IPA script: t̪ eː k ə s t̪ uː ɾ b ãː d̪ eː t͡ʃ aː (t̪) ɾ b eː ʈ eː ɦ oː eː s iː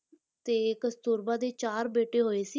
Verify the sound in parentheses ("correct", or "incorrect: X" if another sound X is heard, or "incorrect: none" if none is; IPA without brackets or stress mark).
incorrect: none